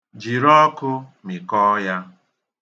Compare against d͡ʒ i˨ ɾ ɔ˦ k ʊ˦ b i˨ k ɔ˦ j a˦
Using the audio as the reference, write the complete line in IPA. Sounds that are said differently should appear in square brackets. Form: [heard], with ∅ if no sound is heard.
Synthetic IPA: d͡ʒ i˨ ɾ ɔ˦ k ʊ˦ [m] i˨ k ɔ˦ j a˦